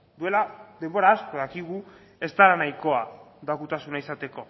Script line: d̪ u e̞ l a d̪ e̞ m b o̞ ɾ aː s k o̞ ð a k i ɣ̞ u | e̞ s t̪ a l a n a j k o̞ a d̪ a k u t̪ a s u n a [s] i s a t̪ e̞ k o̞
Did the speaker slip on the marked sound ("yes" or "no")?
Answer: yes